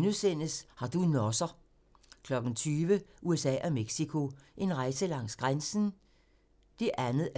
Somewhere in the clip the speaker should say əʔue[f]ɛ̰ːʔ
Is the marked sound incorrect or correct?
incorrect